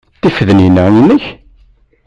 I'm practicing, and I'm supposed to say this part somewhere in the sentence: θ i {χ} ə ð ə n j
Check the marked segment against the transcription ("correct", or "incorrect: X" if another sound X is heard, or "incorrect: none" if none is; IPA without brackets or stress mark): incorrect: f